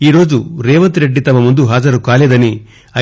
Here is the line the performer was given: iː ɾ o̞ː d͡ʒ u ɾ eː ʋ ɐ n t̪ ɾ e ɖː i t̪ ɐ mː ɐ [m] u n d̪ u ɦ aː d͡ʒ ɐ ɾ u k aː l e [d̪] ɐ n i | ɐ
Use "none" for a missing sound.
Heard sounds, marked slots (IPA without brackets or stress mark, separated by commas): m, d̪